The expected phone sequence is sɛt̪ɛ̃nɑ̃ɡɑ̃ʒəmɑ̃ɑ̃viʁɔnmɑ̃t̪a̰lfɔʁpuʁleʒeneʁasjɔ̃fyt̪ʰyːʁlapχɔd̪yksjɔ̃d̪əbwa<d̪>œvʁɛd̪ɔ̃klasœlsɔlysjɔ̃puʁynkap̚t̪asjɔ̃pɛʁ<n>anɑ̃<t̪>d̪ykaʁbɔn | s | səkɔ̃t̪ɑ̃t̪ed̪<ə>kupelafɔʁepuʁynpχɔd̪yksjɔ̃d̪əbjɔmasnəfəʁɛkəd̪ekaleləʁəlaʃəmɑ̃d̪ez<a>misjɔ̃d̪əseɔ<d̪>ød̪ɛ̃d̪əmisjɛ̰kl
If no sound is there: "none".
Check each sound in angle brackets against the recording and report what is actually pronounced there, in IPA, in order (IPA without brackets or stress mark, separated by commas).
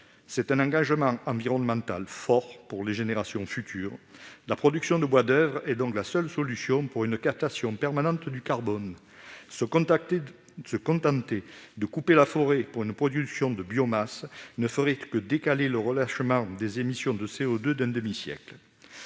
d̪, m, t̪, ə, e, d̪